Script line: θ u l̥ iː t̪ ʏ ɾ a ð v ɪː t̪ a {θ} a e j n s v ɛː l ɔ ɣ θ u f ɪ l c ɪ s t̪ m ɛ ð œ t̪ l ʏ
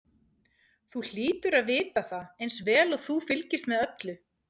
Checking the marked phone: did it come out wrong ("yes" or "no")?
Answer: no